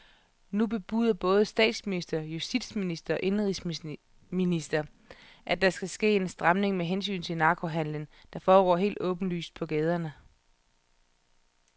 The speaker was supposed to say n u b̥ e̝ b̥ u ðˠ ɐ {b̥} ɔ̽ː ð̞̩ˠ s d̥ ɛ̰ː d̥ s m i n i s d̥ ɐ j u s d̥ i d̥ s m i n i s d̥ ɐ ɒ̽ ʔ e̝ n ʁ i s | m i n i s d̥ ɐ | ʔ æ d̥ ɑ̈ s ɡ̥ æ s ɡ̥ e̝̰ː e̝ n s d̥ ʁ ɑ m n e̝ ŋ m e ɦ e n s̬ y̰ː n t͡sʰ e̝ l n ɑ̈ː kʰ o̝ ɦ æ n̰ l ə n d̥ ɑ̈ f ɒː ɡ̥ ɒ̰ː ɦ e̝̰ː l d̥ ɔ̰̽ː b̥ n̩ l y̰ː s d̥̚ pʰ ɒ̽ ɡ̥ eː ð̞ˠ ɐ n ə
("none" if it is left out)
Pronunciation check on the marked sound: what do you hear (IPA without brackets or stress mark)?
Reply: b̥